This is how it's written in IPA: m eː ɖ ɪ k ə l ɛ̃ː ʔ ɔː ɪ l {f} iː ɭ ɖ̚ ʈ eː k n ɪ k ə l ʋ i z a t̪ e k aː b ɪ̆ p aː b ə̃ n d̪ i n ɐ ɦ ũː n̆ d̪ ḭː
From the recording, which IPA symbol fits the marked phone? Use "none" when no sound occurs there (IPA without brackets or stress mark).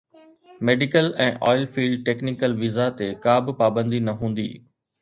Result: f